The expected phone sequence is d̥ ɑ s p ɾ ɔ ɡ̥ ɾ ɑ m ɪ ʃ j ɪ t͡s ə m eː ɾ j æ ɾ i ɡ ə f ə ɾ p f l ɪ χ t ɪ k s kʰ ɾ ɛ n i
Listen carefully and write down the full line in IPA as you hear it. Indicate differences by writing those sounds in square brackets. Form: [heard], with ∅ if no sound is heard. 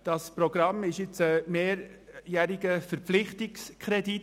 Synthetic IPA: d̥ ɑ s p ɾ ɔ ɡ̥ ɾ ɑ m ɪ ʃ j ɪ t͡s ə m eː ɾ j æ ɾ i ɡ ə f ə ɾ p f l ɪ χ t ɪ k s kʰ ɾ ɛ [d] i